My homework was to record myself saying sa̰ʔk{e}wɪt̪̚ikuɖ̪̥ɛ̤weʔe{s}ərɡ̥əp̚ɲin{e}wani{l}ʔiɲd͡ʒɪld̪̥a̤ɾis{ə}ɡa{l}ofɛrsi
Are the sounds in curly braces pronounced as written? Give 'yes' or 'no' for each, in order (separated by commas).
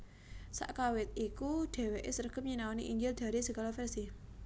no, yes, no, no, yes, yes